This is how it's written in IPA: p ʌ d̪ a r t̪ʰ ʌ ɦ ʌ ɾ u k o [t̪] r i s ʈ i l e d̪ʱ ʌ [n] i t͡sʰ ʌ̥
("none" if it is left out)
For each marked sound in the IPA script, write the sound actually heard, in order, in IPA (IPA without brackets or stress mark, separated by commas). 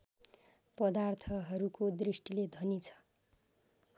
d̪, n